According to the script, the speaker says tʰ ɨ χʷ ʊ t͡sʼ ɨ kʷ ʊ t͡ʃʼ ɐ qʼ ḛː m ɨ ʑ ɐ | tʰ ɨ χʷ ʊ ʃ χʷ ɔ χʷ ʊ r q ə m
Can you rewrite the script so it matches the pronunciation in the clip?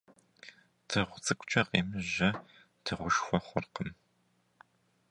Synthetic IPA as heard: tʰ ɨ ʁʷ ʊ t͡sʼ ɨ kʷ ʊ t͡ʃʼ ɐ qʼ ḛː m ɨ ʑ ɐ | tʰ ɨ ʁʷ ʊ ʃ xʷ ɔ χʷ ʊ r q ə m